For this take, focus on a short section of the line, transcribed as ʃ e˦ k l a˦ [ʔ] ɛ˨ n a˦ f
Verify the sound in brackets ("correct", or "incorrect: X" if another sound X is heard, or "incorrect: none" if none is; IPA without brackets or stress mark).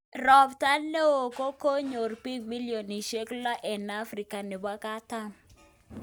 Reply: correct